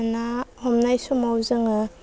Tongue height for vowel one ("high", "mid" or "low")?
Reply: low